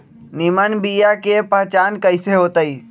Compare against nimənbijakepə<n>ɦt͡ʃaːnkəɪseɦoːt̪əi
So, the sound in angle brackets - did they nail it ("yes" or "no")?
no